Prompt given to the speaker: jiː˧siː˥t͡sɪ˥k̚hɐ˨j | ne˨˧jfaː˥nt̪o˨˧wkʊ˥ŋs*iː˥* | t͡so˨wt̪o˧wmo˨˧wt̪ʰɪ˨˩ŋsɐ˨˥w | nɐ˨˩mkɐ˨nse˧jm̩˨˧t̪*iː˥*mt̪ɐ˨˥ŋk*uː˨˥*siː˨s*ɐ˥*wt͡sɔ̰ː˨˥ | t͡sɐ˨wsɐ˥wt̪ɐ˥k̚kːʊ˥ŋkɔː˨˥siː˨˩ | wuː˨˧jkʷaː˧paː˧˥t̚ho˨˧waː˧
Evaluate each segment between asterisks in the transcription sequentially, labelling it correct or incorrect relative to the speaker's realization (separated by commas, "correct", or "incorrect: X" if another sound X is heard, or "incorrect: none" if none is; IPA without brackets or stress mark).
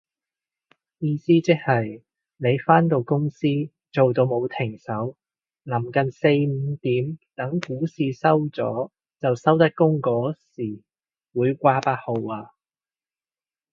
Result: correct, incorrect: iː˨˥, correct, correct